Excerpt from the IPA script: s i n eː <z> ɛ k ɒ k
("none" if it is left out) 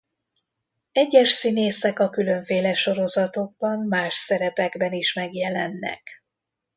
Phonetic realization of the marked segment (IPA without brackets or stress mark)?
s